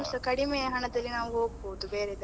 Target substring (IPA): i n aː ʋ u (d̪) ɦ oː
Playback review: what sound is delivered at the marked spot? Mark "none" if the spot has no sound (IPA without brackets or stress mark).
none